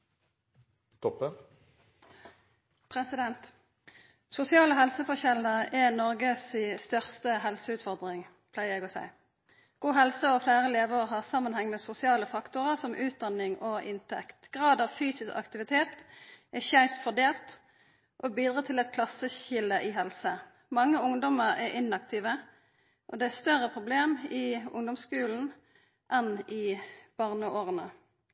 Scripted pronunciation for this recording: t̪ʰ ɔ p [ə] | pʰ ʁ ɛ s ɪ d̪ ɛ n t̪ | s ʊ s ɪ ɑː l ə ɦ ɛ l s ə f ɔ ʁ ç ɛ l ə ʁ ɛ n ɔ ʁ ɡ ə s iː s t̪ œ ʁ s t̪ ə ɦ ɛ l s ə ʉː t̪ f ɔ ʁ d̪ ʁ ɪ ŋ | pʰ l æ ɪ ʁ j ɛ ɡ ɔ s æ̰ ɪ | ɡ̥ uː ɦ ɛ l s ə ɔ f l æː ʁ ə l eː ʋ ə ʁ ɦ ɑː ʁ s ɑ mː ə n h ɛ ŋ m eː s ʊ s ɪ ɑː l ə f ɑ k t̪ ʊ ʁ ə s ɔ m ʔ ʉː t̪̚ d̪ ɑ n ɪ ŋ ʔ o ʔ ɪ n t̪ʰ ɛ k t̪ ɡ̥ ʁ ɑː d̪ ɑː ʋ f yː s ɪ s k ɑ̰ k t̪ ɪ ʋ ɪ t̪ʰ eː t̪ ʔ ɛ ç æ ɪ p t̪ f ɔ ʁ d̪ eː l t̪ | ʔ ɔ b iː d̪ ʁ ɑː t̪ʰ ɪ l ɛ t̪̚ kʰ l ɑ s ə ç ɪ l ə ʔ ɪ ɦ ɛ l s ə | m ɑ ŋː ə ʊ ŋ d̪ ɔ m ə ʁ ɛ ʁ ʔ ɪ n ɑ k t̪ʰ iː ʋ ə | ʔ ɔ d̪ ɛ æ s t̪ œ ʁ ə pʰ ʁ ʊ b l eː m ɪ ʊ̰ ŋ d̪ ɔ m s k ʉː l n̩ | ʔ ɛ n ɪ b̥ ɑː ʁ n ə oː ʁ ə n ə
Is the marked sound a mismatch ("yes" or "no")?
no